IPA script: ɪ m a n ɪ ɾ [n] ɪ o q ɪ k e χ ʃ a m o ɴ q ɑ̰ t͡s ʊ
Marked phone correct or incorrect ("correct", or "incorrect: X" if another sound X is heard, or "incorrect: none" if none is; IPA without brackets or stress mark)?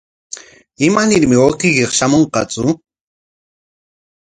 incorrect: m